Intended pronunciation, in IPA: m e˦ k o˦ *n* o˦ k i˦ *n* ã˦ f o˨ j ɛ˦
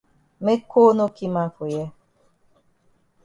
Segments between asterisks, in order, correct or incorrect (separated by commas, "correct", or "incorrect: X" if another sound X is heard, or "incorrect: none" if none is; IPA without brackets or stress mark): correct, incorrect: m